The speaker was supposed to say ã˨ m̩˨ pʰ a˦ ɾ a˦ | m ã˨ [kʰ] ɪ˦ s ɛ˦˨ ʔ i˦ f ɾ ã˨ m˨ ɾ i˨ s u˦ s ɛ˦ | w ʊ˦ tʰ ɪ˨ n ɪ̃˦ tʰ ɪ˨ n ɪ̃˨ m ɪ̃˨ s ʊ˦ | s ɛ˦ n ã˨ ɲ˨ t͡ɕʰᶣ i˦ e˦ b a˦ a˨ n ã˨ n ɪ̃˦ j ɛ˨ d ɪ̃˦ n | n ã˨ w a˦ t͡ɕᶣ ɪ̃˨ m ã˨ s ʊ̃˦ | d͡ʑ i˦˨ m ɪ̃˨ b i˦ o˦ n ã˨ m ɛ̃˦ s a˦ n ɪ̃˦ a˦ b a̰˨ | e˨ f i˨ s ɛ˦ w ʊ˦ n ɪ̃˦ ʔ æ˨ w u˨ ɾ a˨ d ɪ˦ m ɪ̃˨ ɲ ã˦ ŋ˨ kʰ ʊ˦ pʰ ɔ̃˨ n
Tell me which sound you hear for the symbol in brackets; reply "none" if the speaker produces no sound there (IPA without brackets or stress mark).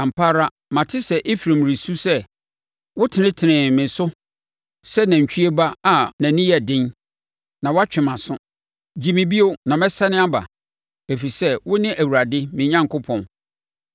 tʰ